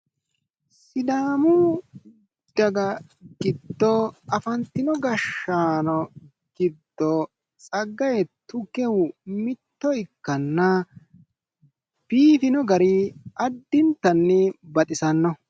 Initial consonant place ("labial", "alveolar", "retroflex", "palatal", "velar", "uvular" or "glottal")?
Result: alveolar